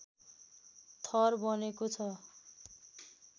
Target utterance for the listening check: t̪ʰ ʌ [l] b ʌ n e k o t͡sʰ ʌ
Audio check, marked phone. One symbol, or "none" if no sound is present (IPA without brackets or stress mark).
r